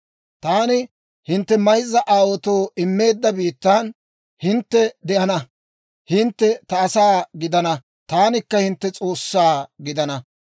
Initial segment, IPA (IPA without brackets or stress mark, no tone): t̪